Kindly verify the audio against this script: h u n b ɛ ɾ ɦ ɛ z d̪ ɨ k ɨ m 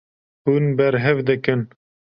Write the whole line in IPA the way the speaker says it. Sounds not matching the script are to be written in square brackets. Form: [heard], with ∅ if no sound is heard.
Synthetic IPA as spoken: h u n b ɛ ɾ ɦ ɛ [v] d̪ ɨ k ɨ [n]